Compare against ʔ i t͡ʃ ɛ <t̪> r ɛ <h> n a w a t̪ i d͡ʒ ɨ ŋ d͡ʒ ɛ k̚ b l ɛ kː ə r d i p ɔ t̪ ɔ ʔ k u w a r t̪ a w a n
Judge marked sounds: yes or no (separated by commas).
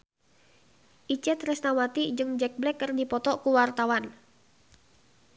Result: yes, no